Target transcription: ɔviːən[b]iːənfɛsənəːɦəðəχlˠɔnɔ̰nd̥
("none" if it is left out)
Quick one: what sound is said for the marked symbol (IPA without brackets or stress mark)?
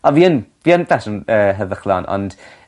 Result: v